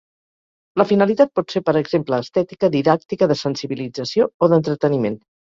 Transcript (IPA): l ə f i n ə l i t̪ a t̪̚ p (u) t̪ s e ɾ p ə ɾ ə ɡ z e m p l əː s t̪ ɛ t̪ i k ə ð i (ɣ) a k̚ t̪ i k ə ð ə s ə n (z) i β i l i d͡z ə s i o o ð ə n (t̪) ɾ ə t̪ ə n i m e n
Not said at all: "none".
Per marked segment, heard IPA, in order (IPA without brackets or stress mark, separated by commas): ɔ, ð, s, t̪